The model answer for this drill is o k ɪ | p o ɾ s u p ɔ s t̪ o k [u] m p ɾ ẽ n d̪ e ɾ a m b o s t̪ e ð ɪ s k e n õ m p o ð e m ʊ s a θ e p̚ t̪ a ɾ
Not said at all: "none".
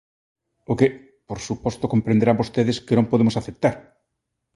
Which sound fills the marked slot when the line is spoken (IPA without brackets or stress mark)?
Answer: o